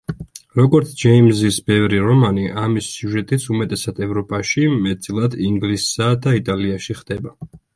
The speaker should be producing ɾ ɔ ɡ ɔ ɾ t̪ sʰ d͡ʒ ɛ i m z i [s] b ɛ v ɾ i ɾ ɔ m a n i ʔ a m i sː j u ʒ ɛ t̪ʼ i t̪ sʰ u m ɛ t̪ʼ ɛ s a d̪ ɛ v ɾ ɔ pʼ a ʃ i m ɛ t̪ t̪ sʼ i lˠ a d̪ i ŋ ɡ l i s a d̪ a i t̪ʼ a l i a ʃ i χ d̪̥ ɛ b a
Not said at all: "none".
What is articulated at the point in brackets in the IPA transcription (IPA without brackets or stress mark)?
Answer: s